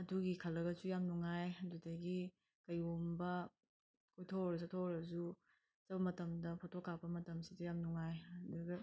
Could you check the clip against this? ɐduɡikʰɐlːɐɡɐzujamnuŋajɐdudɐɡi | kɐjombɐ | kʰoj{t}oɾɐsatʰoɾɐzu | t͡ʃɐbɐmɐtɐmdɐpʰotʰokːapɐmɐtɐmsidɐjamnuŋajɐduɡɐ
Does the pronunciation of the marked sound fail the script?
yes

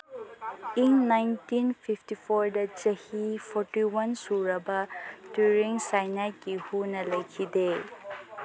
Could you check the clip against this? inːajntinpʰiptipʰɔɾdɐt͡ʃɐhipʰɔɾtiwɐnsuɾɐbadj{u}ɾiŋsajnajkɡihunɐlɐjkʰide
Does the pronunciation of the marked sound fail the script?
no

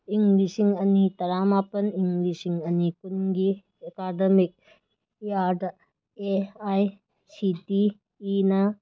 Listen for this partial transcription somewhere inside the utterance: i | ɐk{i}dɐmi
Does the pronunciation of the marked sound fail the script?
yes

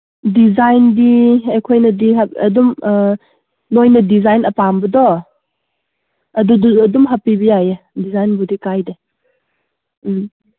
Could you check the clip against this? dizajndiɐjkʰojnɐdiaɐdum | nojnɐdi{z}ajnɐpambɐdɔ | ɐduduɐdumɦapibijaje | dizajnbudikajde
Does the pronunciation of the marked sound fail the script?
no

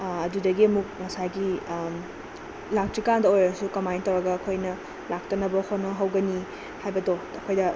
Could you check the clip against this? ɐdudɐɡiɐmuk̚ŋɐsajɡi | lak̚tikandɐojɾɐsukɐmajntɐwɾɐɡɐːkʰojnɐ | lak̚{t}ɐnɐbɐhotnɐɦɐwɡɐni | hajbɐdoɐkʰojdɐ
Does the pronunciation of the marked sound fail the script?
no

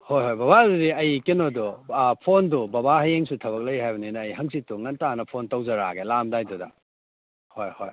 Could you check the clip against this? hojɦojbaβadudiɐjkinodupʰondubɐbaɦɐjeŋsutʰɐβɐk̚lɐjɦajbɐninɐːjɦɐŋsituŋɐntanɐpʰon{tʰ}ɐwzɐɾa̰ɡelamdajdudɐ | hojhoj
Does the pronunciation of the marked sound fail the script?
yes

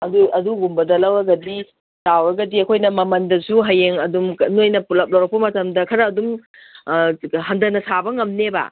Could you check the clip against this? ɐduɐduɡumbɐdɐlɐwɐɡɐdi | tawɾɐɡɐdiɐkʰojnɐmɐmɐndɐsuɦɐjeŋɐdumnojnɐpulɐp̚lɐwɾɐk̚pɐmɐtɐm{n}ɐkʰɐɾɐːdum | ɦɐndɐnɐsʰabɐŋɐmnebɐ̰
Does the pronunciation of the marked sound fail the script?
yes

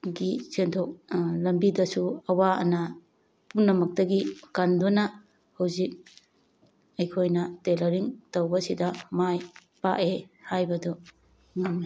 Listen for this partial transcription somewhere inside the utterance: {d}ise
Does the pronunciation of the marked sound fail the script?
yes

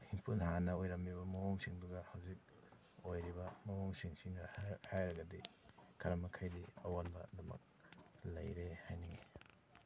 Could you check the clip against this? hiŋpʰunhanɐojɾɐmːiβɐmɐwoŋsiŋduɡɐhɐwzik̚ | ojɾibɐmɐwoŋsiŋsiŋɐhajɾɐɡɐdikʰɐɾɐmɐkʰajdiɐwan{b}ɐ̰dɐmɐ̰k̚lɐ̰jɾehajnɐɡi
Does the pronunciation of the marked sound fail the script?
no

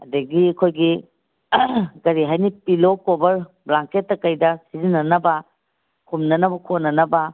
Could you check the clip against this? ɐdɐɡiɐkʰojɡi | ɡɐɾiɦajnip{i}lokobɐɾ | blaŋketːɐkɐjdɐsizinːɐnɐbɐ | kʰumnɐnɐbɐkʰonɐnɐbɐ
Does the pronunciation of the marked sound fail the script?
no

